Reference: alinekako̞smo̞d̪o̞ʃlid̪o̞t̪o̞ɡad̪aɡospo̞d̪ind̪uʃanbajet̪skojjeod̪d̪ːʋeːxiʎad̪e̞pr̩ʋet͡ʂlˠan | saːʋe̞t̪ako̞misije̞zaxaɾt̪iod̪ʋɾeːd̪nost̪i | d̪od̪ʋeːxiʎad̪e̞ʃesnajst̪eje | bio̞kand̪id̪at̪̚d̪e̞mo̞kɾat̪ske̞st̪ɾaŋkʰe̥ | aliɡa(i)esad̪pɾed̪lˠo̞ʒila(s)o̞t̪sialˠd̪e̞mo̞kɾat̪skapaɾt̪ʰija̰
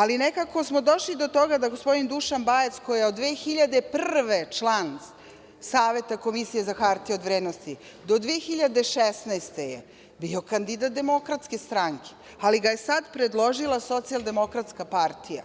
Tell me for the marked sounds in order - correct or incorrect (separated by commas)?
incorrect, correct